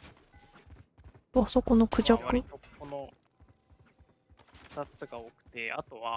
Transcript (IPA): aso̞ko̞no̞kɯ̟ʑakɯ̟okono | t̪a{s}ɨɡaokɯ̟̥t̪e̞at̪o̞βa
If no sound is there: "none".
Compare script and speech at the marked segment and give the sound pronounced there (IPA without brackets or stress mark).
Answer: t͡s